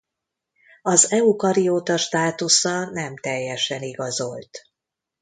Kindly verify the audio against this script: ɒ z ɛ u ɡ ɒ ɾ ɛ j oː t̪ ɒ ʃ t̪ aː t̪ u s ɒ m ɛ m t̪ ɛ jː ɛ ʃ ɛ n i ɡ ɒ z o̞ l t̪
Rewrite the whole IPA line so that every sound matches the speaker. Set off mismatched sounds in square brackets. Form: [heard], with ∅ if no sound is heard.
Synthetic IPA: ɒ z ɛ u [k] ɒ ɾ [i] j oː t̪ ɒ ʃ t̪ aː t̪ u s ɒ [n] ɛ m t̪ ɛ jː ɛ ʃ ɛ n i ɡ ɒ z o̞ l t̪